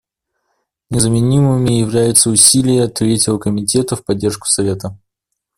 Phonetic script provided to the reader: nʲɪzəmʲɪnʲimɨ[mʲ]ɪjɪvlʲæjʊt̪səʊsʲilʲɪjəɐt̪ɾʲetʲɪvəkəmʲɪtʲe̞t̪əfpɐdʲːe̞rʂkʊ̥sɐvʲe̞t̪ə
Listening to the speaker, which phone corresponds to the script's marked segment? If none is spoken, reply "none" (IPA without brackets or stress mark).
mʲ